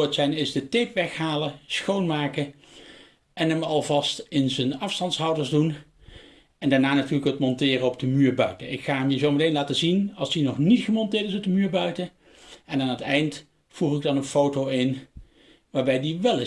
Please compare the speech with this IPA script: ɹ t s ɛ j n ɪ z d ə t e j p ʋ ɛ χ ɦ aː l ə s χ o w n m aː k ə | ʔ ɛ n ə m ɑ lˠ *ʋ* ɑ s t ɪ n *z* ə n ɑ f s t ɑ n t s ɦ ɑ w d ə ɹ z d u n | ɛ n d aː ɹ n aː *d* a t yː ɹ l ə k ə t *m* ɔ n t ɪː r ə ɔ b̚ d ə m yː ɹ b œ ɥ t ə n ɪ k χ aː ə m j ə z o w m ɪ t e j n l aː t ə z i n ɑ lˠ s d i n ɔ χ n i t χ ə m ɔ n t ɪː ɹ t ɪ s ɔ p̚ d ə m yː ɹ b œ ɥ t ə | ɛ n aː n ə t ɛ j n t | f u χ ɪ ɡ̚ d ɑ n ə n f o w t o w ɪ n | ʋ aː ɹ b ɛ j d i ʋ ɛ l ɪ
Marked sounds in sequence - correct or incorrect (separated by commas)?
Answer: incorrect, correct, incorrect, correct